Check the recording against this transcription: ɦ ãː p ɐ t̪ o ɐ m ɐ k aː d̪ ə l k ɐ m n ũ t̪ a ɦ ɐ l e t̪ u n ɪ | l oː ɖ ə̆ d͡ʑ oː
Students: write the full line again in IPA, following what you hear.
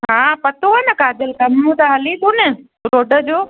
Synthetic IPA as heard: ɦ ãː p ɐ t̪ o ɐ n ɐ k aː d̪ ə l k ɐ m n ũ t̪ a ɦ ɐ l i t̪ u n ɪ | ɾ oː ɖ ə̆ d͡ʑ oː